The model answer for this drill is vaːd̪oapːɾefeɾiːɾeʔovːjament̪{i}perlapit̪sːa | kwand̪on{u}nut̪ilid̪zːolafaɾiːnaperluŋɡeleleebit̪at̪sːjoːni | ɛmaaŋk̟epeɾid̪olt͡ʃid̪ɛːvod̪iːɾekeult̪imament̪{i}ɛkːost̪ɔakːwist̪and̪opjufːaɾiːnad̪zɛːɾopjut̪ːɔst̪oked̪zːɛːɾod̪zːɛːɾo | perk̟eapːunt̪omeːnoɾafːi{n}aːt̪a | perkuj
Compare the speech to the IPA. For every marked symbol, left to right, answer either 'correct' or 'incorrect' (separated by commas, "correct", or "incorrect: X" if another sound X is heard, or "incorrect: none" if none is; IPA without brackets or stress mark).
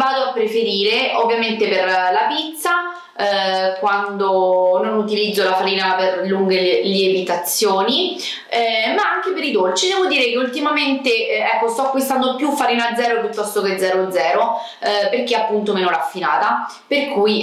incorrect: e, incorrect: o, incorrect: e, correct